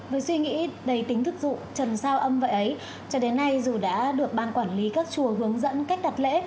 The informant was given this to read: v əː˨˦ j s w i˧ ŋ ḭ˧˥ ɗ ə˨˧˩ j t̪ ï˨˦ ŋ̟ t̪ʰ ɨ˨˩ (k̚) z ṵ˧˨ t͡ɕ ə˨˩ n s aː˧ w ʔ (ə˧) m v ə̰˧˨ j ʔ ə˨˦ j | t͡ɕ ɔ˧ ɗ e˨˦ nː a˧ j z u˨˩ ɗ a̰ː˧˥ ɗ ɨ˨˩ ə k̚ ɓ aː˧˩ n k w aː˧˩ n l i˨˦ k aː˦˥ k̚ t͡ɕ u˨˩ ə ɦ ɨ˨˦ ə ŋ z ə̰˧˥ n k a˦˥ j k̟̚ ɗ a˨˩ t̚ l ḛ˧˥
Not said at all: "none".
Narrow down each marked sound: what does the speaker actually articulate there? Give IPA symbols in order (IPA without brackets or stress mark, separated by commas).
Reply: k̚, ə˧